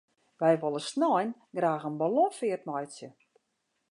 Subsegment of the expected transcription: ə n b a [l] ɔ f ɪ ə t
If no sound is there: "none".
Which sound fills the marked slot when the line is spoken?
l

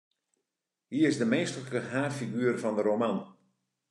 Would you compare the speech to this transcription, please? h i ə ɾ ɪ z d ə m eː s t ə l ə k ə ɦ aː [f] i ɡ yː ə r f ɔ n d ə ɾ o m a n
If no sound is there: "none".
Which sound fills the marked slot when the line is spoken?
f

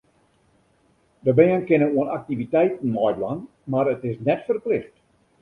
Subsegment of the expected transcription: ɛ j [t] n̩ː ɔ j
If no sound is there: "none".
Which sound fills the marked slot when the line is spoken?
t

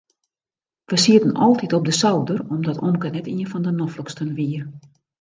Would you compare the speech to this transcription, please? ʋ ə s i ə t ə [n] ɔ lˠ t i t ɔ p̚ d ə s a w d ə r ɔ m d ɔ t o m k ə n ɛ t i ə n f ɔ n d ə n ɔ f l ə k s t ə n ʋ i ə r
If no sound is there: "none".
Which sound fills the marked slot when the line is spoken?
n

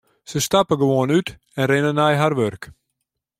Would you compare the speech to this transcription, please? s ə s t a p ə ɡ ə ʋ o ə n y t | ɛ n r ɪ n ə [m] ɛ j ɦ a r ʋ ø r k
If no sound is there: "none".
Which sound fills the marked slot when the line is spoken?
n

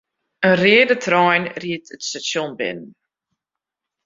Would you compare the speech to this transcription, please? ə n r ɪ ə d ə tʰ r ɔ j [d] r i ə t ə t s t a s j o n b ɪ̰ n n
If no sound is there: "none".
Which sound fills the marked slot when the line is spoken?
n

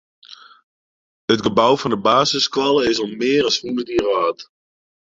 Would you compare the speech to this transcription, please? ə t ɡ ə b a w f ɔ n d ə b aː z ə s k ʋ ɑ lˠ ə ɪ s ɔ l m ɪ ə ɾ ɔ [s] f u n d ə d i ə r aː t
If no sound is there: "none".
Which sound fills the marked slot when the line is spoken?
s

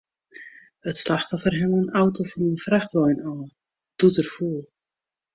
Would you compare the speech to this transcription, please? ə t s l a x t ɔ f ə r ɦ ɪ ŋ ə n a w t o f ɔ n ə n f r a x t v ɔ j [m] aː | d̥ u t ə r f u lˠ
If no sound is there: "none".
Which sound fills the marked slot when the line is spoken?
n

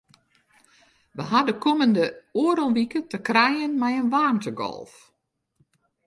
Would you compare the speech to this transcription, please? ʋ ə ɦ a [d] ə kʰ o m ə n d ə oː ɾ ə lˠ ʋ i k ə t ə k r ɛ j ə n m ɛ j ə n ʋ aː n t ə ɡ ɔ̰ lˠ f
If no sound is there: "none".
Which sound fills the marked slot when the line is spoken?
d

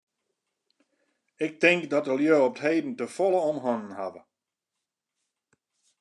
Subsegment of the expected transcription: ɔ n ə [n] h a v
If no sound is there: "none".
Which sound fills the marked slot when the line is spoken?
n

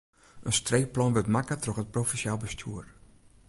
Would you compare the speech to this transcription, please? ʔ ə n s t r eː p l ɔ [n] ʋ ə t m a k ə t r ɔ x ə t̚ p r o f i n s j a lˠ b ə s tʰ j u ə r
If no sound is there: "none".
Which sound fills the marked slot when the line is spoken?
n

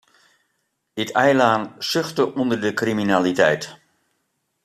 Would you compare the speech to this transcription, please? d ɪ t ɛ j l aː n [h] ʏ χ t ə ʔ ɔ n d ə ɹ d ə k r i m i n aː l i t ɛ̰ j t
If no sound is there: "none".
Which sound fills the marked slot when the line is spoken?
s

